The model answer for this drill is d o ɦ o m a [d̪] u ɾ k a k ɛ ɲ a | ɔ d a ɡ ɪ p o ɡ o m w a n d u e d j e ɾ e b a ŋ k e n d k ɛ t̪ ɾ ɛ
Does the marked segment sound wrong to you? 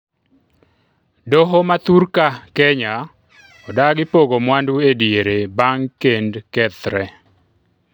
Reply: yes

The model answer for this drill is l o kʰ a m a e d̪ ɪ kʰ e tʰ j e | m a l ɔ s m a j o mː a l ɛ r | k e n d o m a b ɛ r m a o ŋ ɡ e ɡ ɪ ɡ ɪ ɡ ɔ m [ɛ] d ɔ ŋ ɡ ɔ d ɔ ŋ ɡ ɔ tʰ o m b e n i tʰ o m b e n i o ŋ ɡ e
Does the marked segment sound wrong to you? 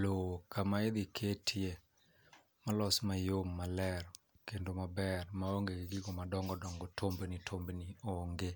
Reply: yes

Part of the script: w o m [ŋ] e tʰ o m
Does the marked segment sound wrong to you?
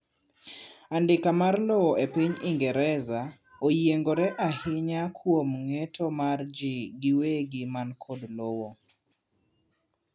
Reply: no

